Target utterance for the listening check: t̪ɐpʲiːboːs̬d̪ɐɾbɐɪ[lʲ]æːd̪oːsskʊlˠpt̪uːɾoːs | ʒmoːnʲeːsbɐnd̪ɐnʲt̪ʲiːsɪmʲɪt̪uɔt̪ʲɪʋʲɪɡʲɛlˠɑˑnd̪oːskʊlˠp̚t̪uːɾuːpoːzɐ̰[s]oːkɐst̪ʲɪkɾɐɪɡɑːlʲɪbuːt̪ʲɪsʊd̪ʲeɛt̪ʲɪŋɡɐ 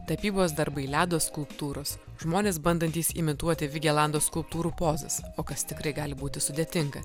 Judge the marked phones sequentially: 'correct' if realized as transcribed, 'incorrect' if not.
correct, correct

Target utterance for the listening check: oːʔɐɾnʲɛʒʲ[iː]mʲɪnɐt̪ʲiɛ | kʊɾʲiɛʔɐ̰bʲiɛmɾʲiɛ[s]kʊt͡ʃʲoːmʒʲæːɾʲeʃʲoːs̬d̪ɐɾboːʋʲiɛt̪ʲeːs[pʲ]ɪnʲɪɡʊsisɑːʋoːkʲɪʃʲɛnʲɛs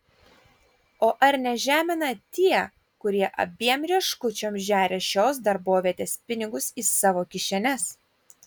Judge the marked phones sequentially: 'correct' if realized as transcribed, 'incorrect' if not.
incorrect: æː, incorrect: ʃ, correct

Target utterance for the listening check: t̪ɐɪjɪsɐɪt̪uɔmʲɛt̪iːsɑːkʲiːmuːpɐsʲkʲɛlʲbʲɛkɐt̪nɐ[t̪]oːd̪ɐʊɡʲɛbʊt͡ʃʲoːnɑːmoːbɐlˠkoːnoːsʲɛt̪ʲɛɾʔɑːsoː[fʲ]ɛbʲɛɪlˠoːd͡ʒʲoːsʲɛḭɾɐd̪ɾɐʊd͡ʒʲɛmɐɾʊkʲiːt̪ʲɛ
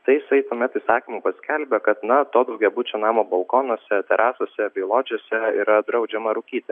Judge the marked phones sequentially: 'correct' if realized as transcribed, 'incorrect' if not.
correct, incorrect: sʲ

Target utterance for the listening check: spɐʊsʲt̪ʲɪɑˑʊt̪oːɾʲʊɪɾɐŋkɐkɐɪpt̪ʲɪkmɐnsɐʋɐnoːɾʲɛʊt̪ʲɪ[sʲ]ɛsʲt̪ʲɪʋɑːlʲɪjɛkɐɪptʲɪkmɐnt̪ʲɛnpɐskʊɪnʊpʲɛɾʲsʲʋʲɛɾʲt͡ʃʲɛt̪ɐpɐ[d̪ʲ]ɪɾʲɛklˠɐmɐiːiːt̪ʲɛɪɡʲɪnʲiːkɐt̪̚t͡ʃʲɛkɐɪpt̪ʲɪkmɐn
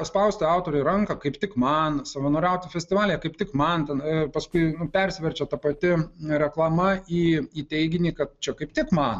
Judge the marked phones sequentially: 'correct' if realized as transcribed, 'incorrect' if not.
incorrect: fʲ, incorrect: t̪ʲ

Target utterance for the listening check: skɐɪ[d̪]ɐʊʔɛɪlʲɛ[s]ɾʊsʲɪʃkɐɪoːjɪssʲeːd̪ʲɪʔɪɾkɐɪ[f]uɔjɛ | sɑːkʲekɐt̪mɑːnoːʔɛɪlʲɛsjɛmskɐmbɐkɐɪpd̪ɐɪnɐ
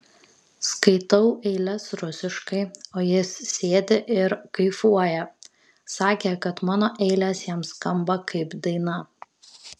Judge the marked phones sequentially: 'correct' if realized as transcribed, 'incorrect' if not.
incorrect: t̪, correct, correct

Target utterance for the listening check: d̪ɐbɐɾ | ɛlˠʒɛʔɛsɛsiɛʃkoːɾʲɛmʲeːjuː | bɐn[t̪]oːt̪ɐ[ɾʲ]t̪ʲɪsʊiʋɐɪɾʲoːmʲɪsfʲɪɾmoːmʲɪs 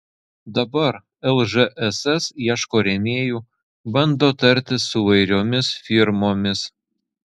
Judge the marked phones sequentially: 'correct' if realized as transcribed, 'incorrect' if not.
incorrect: d̪, correct

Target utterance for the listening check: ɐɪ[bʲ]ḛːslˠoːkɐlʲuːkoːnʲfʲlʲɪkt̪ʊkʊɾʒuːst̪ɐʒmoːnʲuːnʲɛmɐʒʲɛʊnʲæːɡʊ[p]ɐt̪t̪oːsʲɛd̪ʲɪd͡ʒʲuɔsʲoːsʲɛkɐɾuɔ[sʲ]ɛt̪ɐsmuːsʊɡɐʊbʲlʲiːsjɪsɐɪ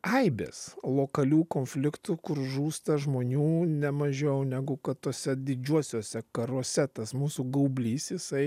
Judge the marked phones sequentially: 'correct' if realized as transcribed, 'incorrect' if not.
correct, incorrect: k, correct

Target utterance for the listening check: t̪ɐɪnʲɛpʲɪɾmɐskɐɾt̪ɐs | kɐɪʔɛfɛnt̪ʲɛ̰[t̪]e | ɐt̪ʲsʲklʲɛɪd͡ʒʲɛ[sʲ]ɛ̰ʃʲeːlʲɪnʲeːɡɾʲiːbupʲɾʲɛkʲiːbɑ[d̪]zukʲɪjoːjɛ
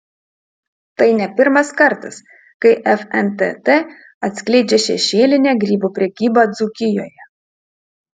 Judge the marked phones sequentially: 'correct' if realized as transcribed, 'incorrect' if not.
correct, incorrect: ʃʲ, correct

